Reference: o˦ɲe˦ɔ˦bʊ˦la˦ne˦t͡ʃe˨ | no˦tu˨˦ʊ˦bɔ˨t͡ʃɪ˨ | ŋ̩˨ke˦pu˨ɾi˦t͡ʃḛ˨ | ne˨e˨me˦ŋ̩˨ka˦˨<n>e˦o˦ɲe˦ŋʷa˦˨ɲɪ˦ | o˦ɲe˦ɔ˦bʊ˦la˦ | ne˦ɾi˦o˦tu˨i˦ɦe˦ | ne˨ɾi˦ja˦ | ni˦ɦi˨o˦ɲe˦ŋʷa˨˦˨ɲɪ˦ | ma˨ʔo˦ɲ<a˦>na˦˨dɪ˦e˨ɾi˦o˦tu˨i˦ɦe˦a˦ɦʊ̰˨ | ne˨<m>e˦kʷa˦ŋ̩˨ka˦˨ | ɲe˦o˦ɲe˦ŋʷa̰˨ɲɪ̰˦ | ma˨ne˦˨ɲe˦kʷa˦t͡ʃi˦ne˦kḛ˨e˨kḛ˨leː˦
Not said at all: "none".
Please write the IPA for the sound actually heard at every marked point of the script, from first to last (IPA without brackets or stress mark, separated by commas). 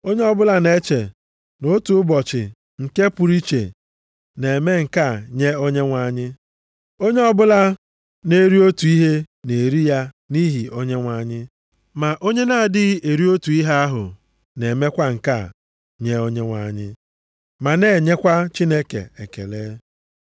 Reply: ɲ, e˦, m